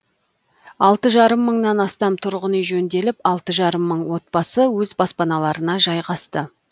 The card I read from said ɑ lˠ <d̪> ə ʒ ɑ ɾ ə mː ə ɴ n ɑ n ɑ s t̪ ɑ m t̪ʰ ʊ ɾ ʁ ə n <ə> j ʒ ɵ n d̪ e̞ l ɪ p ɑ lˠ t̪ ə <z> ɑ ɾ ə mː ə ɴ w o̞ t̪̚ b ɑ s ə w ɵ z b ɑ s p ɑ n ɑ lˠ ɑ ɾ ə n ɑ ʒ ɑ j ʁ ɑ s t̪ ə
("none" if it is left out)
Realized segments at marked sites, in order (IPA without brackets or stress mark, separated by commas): t̪, ə, ʒ